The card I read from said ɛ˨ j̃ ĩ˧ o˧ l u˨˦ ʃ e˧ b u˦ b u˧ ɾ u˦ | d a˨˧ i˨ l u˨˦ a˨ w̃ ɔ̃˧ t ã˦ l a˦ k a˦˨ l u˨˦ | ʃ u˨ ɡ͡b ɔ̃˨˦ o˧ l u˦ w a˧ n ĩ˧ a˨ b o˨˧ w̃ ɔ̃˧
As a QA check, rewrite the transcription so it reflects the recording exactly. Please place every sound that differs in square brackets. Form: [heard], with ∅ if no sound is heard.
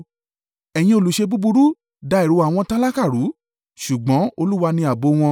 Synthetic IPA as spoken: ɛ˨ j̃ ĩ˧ o˧ l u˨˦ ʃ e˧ b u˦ b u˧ ɾ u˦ | d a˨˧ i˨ [ɾ] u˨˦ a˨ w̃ ɔ̃˧ t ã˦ l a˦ k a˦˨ [ɾ] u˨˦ | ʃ u˨ ɡ͡b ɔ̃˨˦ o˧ l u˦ w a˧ n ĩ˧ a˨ b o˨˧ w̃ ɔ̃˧

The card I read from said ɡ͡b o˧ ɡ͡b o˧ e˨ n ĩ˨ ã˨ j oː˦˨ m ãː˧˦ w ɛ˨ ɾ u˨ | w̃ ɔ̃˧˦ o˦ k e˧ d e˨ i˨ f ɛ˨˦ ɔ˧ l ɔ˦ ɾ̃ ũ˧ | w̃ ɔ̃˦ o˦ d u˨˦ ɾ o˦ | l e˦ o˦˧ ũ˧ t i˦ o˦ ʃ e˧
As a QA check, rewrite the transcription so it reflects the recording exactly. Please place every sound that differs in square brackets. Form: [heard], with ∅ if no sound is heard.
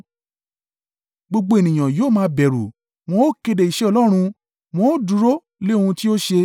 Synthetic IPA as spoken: ɡ͡b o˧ ɡ͡b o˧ e˨ n ĩ˨ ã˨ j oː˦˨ m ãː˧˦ [b] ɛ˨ ɾ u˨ | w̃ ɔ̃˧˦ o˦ k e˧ d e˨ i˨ [ʃ] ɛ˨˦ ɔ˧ l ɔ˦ ɾ̃ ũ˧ | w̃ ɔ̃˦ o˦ d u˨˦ ɾ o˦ | l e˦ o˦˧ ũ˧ t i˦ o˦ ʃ e˧

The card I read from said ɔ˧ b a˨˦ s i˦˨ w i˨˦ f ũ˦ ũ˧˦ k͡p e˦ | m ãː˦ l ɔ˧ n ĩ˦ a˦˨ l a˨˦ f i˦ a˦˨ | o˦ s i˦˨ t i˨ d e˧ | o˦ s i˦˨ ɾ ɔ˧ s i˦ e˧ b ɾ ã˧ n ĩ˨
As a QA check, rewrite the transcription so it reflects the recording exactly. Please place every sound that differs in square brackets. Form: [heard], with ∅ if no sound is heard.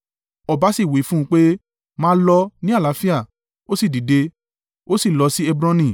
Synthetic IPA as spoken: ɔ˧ b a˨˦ s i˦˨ w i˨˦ f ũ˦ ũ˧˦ k͡p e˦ | m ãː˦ l ɔ˧ n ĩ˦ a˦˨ l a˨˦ f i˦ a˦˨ | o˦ s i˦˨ [d] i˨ d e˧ | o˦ s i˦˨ [l] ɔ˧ s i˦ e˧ b ɾ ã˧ n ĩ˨

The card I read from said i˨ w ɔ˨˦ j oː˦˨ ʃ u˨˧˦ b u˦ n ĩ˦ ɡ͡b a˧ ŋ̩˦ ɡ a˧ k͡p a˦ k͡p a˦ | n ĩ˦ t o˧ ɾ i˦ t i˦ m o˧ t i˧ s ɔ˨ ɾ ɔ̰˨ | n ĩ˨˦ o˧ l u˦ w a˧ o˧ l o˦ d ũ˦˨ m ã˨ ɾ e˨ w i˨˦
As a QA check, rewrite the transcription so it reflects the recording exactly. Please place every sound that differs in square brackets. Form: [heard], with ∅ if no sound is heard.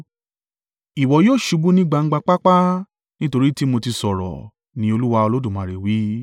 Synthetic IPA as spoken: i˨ w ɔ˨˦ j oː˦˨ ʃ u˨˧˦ b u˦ n ĩ˦ ɡ͡b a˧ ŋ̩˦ [ɡ͡b] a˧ k͡p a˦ k͡p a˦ | n ĩ˦ t o˧ ɾ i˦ t i˦ m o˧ t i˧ s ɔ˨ ɾ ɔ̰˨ | n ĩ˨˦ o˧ l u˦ w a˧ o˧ l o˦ d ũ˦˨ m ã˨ ɾ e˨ w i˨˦

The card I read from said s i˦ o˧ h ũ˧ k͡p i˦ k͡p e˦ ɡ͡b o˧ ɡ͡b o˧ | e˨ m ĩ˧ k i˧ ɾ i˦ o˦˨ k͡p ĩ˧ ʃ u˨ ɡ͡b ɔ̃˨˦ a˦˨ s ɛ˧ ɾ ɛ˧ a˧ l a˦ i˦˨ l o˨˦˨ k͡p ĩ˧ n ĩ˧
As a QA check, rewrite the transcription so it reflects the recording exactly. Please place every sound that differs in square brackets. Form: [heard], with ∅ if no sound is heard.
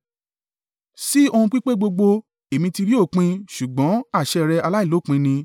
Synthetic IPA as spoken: s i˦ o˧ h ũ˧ k͡p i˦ k͡p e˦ ɡ͡b o˧ ɡ͡b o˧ | e˨ m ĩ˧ [t] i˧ ɾ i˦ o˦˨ k͡p ĩ˧ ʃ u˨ ɡ͡b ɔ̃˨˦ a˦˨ [ʃ] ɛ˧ ɾ ɛ˧ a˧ l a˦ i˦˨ l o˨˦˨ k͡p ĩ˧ n ĩ˧

